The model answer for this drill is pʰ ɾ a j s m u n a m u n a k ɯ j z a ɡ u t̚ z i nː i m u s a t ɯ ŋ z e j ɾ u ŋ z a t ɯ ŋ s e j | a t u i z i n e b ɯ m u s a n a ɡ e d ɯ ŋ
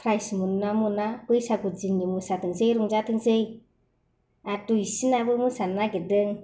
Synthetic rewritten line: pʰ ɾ a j s m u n a m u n a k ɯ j s a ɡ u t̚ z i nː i m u s a t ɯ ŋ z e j ɾ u ŋ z a t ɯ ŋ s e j | a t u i s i n a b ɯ m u s a n a ɡ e d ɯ ŋ